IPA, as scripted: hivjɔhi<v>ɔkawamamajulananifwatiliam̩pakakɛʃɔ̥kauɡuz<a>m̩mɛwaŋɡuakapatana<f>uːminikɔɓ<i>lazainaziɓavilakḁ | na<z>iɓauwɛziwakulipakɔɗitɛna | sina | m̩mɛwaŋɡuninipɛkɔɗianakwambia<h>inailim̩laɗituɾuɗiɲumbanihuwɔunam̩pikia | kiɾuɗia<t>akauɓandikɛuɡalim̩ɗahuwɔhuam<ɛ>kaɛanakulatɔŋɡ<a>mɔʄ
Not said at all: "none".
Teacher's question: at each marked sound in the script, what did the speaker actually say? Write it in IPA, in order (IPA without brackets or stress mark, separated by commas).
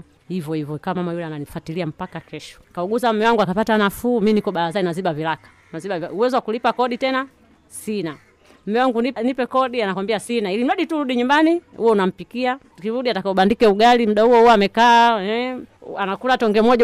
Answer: v, a, f, a, z, s, t, ɛ, ɛ